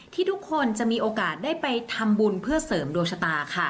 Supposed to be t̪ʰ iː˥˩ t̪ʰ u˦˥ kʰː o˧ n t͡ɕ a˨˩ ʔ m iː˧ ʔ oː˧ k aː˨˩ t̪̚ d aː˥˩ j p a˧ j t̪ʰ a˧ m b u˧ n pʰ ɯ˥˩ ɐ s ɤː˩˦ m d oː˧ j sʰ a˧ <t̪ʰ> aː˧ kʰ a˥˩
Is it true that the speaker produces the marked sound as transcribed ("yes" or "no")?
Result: no